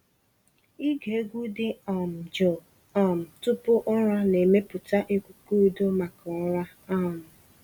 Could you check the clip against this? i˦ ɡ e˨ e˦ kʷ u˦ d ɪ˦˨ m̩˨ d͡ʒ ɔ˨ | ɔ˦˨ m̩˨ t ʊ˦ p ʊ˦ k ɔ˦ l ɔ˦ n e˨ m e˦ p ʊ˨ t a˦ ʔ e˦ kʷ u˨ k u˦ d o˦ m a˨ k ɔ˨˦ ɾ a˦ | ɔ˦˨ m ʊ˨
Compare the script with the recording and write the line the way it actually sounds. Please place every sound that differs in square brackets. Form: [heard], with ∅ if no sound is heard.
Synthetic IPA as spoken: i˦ ɡ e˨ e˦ [ɡʷ] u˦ d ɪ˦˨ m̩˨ d͡ʒ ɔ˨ | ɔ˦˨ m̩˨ t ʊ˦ p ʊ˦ [ʔ] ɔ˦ [ɾ] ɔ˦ n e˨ m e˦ p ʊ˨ t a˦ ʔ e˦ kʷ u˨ k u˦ d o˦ m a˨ k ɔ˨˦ ɾ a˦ | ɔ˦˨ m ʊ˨